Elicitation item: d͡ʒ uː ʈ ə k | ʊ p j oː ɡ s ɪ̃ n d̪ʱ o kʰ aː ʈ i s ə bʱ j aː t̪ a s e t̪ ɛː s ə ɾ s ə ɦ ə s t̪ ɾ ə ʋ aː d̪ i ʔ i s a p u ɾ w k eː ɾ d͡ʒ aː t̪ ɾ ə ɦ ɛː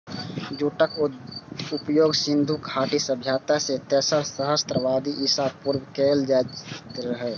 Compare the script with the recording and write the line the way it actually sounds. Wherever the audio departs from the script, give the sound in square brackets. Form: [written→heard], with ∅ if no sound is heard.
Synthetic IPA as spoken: d͡ʒ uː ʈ ə k | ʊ p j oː ɡ s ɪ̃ n d̪ʱ [o→u] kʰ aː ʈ i s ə bʱ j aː t̪ a s e t̪ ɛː s ə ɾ s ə ɦ ə s t̪ ɾ ə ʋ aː d̪ i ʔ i s a p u ɾ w k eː [ɾ→l] d͡ʒ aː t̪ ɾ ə ɦ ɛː